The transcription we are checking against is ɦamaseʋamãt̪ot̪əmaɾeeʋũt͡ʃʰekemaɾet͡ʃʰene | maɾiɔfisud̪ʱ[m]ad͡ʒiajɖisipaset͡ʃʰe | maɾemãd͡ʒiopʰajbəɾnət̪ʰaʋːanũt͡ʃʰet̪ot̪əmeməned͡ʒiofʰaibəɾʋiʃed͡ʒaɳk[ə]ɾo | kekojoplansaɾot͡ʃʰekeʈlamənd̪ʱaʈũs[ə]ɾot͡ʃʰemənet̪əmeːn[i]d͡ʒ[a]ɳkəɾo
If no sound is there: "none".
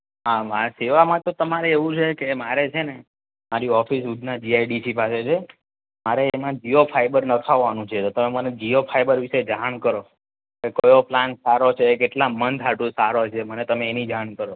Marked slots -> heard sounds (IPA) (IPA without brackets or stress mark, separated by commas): n, ə, a, i, a